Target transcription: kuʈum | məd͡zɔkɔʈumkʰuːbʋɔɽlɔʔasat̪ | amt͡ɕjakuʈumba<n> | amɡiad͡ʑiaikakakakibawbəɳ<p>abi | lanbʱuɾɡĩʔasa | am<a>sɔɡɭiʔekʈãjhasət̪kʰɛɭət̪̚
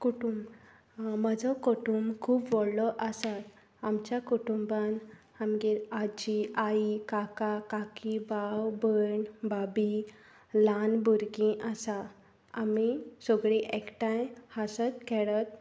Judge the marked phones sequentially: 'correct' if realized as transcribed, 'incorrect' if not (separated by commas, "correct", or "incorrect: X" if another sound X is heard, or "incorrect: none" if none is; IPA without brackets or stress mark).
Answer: correct, incorrect: b, incorrect: i